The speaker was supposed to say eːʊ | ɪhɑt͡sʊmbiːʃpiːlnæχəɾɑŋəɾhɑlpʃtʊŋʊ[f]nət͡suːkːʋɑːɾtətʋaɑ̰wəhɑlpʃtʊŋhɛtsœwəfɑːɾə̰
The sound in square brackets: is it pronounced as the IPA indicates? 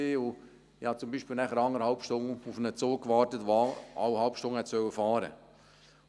yes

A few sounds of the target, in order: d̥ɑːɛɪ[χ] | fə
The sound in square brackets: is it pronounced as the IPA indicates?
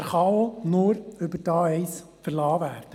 no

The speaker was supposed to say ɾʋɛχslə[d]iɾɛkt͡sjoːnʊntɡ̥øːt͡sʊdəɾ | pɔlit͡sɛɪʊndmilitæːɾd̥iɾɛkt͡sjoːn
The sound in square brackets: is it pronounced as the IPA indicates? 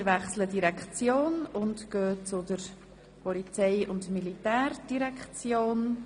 yes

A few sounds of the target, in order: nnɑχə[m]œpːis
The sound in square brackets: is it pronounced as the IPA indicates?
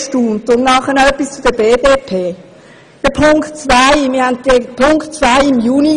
no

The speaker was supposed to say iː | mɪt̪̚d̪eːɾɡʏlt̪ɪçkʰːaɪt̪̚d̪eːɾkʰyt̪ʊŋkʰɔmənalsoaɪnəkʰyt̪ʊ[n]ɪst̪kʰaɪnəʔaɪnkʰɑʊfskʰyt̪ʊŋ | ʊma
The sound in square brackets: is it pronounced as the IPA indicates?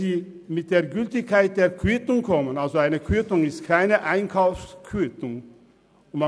no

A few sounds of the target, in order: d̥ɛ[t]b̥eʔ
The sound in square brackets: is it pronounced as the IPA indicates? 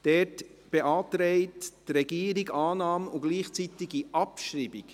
yes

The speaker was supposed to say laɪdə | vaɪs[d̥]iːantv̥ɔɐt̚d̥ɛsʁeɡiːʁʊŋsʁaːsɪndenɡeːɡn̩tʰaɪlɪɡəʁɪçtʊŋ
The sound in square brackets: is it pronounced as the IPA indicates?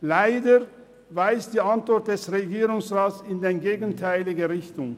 yes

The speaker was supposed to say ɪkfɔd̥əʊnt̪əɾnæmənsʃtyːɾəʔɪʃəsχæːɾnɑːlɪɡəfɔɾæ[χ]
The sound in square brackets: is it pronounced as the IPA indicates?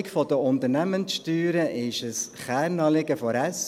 no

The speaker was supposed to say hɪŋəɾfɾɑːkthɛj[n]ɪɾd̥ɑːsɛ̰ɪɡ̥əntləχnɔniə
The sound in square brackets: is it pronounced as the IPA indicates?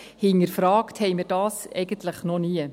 no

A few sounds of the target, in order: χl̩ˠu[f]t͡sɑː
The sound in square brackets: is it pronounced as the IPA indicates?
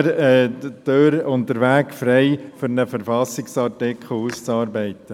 no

